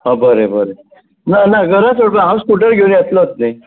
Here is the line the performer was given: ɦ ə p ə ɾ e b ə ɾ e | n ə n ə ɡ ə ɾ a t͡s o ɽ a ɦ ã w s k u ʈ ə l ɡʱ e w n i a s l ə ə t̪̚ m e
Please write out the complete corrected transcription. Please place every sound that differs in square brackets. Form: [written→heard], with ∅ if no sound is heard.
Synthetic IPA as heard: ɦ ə [p→b] ə ɾ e b ə ɾ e | n [ə→a] n [ə→a] ɡ ə ɾ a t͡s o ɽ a ɦ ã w s k u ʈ ə [l→ɾ] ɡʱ e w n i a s l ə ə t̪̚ [m→n] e